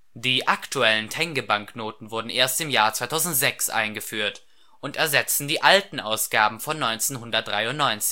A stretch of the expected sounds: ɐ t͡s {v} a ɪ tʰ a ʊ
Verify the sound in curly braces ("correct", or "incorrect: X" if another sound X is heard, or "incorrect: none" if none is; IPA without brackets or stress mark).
correct